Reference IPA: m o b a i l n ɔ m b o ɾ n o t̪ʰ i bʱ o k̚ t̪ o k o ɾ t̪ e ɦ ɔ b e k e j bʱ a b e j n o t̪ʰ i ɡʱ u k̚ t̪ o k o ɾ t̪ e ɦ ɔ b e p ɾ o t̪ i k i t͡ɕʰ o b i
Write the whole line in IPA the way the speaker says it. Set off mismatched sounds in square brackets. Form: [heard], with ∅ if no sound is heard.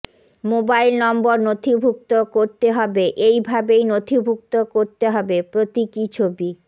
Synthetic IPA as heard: m o b a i l n ɔ m b o ɾ n o t̪ʰ i bʱ [u] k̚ t̪ o k o ɾ t̪ e ɦ ɔ b e [ʔ] e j bʱ a b e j n o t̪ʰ i [bʱ] u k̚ t̪ o k o ɾ t̪ e ɦ ɔ b e p ɾ o t̪ i k i t͡ɕʰ o b i